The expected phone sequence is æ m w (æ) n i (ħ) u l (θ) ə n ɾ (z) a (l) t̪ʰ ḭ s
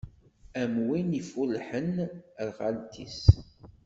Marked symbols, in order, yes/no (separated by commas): no, no, no, no, yes